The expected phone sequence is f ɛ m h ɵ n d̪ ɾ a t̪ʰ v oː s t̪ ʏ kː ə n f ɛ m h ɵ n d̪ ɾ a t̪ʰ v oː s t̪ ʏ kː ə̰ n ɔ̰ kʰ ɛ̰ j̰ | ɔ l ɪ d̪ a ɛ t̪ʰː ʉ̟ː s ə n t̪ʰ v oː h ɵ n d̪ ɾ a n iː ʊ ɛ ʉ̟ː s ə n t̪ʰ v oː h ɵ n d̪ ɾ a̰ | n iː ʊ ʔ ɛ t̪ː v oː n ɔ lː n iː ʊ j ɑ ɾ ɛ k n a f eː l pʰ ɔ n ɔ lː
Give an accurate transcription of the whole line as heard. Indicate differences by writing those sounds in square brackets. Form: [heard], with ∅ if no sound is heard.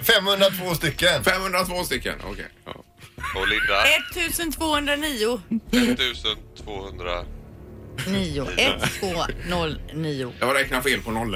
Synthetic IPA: f ɛ m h ɵ n d̪ ɾ a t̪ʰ v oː s t̪ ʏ kː ə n f ɛ m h ɵ n d̪ ɾ a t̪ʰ v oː s t̪ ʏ kː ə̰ n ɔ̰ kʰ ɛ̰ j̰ | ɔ l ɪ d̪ a ɛ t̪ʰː ʉ̟ː s ə n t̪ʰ v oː h ɵ n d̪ ɾ a n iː ʊ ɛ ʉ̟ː s ə n t̪ʰ v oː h ɵ n d̪ ɾ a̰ | n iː ʊ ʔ ɛ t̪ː v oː n ɔ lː n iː ʊ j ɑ ɾ ɛ k n a f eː l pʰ ɔ n ɔ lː